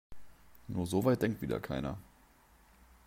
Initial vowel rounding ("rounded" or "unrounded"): rounded